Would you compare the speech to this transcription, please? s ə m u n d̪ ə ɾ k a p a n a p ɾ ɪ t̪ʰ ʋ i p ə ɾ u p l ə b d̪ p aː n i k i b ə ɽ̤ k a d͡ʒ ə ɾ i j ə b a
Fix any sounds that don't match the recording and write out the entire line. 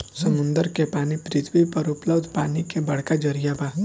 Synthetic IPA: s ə m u n d̪ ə ɾ k e p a n i p ɾ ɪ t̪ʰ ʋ i p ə ɾ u p l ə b d̪ p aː n i k e b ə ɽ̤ k a d͡ʒ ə ɾ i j a b a